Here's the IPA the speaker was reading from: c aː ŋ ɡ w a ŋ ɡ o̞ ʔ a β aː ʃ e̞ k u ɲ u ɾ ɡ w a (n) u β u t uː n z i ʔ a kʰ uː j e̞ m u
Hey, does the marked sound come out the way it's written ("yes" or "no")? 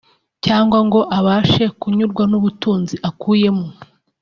yes